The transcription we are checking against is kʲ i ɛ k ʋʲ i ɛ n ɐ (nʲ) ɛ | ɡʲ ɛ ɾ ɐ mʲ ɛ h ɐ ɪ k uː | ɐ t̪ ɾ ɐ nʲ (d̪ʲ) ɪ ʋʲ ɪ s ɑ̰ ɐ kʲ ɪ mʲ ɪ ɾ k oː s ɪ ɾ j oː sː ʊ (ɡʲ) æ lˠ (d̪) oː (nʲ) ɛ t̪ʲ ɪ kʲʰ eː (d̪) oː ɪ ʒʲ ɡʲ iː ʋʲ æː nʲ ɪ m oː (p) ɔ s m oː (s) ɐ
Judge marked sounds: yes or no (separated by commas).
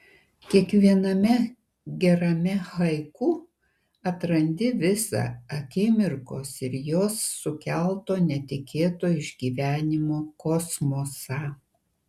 no, yes, no, no, yes, no, no, yes